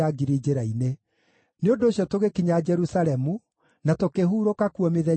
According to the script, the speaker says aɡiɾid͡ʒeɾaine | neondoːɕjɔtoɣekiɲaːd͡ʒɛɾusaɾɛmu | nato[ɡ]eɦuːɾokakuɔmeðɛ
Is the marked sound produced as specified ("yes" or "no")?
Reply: no